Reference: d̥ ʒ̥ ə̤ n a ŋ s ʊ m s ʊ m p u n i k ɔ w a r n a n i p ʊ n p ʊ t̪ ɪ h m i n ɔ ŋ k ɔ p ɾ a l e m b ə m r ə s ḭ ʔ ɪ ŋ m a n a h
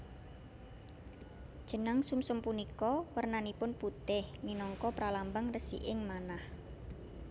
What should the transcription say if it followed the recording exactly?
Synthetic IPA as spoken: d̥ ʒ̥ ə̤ n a ŋ s u m s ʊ m p u n i k ɔ w ə r n a n i p ʊ n p u t̪ ɪ h m i n ɔ ŋ k ɔ p ɾ a l a m b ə ŋ r ə s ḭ ʔ ɪ ŋ m a n a h